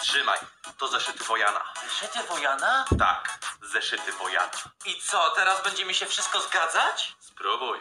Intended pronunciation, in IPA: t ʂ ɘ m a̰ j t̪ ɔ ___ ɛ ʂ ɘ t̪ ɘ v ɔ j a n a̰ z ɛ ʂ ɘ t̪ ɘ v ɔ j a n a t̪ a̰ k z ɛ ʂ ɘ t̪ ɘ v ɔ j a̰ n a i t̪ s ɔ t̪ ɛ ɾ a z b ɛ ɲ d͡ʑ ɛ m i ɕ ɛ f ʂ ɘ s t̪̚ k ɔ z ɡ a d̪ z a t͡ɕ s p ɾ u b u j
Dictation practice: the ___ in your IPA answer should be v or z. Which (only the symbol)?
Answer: z